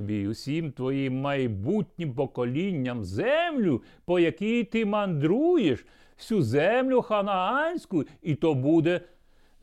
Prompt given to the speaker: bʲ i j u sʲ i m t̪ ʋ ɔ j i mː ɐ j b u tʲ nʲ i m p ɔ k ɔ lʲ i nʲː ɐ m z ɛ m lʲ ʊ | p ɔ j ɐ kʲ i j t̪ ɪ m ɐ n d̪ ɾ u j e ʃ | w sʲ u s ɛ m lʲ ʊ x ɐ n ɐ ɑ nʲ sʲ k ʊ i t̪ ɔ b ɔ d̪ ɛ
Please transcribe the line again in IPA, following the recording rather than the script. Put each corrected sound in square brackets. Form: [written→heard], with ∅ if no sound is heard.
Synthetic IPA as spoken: bʲ i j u sʲ i m t̪ ʋ ɔ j i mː ɐ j b u tʲ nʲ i m p ɔ k ɔ lʲ i nʲː ɐ m z ɛ m lʲ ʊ | p ɔ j ɐ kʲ i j t̪ ɪ m ɐ n d̪ ɾ u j e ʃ | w sʲ u [s→z] ɛ m lʲ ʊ x ɐ n ɐ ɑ nʲ sʲ k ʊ i t̪ ɔ b [ɔ→u] d̪ ɛ